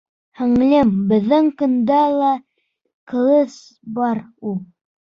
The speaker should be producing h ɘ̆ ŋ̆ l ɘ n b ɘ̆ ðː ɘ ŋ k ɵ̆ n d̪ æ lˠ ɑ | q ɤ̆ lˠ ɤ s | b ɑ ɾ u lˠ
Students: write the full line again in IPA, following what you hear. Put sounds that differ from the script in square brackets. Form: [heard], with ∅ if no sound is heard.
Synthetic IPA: h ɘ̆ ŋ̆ l ɘ [m] b ɘ̆ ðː ɘ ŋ k ɵ̆ n d̪ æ lˠ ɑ | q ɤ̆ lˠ ɤ s | b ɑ ɾ u lˠ